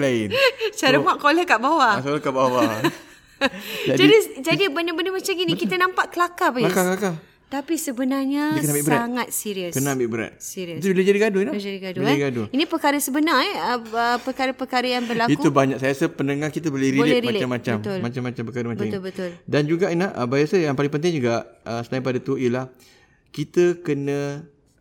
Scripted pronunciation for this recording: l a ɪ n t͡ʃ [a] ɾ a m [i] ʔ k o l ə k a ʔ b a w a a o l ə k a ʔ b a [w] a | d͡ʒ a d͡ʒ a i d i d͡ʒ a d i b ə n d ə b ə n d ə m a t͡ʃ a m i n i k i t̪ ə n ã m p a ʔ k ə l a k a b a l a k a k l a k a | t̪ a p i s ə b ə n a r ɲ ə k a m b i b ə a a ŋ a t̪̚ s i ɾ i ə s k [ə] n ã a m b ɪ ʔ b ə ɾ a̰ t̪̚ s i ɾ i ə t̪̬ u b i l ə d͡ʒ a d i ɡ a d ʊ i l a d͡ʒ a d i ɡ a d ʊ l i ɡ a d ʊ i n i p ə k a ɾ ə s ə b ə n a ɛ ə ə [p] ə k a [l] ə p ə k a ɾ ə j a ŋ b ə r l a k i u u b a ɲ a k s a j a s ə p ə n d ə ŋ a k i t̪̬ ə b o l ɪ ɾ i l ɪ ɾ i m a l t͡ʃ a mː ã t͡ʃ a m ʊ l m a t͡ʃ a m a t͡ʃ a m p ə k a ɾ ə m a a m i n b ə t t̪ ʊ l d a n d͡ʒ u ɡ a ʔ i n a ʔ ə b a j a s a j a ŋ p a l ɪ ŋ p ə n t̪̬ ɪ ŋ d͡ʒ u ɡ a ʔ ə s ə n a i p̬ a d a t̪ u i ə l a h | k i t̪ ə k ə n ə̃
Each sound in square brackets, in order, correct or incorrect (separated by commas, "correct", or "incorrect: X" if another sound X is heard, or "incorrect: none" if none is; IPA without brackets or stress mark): correct, incorrect: a, correct, correct, correct, incorrect: ɾ